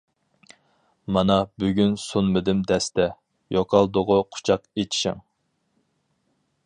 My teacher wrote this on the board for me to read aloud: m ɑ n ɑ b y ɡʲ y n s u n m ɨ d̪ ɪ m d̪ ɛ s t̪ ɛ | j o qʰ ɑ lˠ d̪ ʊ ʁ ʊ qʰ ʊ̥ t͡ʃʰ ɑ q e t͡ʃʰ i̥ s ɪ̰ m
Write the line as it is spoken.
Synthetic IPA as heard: m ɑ n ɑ b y ɡʲ y n s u n m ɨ d̪ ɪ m d̪ ɛ s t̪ ɛ | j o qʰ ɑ lˠ d̪ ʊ ʁ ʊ qʰ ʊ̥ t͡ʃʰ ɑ q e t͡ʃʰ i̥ ʃ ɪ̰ ŋ